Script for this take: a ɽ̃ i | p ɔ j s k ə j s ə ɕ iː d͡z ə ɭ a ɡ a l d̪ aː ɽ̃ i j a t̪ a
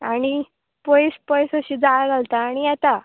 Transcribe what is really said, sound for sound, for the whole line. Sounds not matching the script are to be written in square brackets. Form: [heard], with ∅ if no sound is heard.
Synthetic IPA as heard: a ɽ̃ i | p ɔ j s [p] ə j s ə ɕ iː d͡z [a] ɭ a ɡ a l [t̪] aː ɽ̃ i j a t̪ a